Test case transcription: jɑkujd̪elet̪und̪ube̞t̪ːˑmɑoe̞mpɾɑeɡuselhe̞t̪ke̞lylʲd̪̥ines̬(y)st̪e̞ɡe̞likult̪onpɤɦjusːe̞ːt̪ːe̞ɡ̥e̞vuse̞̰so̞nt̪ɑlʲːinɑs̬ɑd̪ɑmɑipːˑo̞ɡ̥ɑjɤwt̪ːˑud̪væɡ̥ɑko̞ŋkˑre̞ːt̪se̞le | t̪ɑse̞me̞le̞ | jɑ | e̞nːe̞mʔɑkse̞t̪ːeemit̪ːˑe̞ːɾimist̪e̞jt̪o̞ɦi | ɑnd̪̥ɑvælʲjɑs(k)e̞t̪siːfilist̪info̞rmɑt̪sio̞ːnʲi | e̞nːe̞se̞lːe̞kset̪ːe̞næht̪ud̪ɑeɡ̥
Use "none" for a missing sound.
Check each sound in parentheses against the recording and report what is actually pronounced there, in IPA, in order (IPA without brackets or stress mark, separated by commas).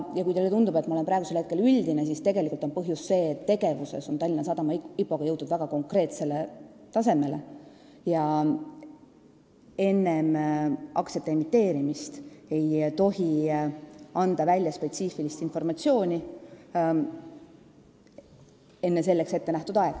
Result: i, p